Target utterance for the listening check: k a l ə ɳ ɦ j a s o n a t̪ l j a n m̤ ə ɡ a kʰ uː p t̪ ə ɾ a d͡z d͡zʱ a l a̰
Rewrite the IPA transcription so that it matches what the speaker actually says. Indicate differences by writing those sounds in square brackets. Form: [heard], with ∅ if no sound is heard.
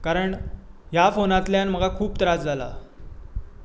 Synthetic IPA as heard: k a [ɾ] ə ɳ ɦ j a [f] o n a t̪ l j a n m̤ ə ɡ a kʰ uː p t̪ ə ɾ a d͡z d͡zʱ a l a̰